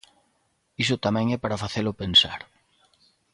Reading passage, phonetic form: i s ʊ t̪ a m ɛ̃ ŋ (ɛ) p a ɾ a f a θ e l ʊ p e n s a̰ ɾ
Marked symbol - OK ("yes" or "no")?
yes